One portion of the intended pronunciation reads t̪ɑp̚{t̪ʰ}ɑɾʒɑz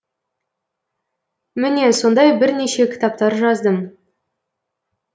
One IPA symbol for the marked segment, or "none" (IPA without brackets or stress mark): t̪